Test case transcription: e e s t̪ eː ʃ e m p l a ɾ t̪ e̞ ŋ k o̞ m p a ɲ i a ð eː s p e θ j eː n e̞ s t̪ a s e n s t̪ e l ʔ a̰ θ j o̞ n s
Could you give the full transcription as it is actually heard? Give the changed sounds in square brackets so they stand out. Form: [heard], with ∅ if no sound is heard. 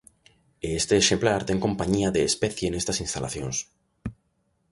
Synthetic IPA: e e s t̪ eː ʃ e m p l a ɾ t̪ e̞ ŋ k o̞ m p a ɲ i a ð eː s p e θ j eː n e̞ s t̪ a s [i] n s t̪ [a] l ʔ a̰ θ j o̞ n s